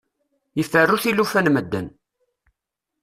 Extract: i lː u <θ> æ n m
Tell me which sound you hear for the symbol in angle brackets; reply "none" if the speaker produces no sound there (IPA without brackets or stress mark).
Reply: f